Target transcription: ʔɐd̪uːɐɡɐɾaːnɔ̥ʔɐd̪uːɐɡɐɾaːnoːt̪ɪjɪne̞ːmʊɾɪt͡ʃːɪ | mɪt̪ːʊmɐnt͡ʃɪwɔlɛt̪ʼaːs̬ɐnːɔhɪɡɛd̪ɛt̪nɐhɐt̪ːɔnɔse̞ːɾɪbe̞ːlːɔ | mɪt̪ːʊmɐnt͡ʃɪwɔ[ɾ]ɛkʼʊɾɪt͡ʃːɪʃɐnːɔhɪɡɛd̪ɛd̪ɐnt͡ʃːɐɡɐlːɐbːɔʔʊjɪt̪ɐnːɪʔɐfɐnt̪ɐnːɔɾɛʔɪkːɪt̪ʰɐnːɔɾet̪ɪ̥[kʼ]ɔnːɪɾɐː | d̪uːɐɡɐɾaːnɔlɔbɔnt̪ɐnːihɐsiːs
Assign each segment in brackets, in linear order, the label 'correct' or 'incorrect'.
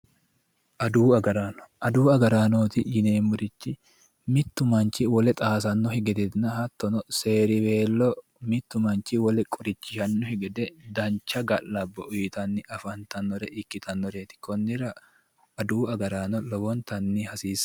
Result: incorrect: l, incorrect: k

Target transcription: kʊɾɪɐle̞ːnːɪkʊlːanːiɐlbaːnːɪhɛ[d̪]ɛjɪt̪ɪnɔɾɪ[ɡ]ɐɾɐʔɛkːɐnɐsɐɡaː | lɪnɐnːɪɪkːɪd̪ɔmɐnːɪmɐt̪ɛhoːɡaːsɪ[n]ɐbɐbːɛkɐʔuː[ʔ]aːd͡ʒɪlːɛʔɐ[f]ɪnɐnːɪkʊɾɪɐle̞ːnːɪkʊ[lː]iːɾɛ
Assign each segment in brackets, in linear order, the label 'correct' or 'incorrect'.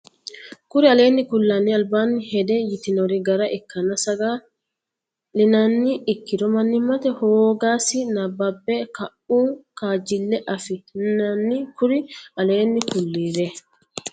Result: correct, correct, correct, incorrect: k, correct, correct

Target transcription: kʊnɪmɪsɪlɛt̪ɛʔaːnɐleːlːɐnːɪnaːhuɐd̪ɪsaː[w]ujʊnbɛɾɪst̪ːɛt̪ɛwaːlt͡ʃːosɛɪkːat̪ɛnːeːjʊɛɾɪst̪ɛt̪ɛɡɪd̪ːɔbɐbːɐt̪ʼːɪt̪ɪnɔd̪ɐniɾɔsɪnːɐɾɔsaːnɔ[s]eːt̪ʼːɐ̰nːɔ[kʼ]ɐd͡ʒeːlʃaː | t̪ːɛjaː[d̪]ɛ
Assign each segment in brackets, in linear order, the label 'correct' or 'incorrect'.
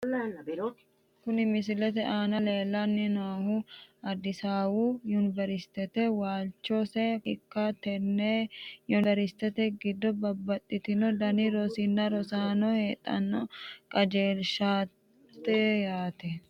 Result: correct, incorrect: h, correct, incorrect: t̪

